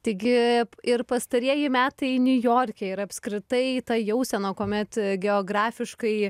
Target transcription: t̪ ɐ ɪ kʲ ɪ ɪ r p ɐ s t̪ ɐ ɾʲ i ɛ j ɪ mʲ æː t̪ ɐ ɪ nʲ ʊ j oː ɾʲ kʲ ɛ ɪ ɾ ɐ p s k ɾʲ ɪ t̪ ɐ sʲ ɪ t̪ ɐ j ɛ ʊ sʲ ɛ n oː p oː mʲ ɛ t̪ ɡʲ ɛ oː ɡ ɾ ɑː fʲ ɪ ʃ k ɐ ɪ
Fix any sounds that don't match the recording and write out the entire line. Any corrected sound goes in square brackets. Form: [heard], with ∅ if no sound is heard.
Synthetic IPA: t̪ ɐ ɪ [ɡʲ] ɪ ɪ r p ɐ s t̪ ɐ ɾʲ i ɛ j ɪ mʲ æː t̪ ɐ ɪ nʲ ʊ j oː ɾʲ kʲ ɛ ɪ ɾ ɐ p s k ɾʲ ɪ t̪ ɐ [∅] ɪ t̪ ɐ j ɛ ʊ sʲ ɛ n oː [k] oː mʲ ɛ t̪ ɡʲ ɛ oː ɡ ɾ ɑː fʲ ɪ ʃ k ɐ ɪ